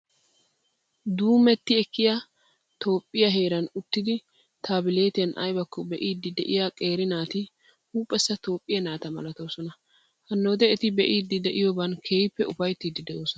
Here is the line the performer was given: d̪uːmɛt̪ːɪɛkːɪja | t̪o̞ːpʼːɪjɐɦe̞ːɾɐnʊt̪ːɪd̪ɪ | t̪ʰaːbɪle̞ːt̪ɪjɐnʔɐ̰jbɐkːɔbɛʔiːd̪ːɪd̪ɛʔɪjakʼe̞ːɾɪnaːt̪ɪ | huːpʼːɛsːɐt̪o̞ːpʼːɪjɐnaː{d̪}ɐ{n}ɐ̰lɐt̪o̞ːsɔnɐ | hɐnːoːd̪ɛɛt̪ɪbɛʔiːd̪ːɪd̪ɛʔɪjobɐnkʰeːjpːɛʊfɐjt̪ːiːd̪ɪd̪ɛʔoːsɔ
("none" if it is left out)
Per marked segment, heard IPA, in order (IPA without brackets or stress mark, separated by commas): t̪, m